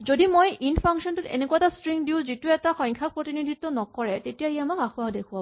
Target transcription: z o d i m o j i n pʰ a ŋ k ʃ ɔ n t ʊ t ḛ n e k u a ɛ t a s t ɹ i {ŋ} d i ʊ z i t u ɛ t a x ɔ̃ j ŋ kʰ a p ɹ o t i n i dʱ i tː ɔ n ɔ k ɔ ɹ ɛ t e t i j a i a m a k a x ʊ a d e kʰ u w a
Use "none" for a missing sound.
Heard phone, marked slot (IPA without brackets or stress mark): ŋ